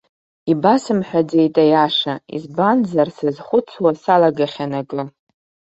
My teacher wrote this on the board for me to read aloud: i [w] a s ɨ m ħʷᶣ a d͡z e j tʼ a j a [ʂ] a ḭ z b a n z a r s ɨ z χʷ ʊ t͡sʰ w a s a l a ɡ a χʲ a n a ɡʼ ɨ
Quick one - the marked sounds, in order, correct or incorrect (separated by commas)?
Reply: incorrect, correct